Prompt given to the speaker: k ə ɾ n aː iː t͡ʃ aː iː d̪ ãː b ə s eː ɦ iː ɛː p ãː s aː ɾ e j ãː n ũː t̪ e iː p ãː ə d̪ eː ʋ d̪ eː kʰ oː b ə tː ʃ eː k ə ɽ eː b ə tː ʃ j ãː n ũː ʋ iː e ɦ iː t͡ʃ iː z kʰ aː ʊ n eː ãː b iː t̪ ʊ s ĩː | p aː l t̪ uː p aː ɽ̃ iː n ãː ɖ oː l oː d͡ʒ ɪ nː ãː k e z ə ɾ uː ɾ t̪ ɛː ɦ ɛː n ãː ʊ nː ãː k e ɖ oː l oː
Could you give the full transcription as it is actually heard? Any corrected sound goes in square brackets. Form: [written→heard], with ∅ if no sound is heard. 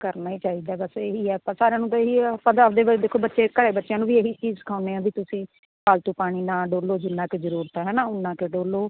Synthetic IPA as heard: k ə ɾ n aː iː t͡ʃ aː iː d̪ [ãː→aː] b ə s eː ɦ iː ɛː p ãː s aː ɾ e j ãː n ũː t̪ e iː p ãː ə d̪ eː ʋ d̪ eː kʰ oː b ə tː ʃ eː k ə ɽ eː b ə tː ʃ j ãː n ũː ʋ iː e ɦ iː t͡ʃ iː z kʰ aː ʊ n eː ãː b iː t̪ ʊ s ĩː | p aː l t̪ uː p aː ɽ̃ iː n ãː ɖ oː l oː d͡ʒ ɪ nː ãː k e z ə ɾ uː ɾ t̪ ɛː ɦ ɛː n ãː ʊ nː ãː k e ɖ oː l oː